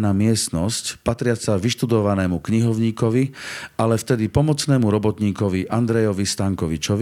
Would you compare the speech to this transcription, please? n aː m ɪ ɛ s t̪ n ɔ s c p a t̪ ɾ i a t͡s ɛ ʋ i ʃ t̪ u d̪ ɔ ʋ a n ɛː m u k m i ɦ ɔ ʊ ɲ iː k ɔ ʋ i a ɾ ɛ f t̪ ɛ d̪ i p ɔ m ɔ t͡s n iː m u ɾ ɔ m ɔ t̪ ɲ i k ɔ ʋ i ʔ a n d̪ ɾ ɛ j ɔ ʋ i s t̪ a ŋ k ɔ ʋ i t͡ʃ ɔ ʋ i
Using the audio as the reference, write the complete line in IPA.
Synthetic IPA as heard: n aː m ɪ ɛ s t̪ n ɔ s c p a t̪ ɾ ɪ a t͡s a ʋ i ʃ t̪ u d̪ ɔ ʋ a n ɛː m u k ɲ i ɦ ɔ ʊ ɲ iː k ɔ ʋ i a l ɛ f t̪ ɛ d̪ i p ɔ m ɔ t͡s n ɛː m u ɾ ɔ b ɔ t̪ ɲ iː k ɔ ʋ i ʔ a n d̪ ɾ ɛ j ɔ ʋ i s t̪ a ŋ k ɔ ʋ i t͡ʃ ɔ ʋ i